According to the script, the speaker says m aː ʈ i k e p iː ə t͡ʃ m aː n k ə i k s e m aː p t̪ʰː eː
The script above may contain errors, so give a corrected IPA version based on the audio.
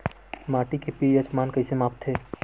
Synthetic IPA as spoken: m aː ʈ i k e p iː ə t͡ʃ m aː n k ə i s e m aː p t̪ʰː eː